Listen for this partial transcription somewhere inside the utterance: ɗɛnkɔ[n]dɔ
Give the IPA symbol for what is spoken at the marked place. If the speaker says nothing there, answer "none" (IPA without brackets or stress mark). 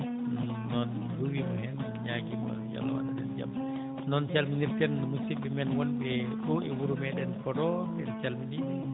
none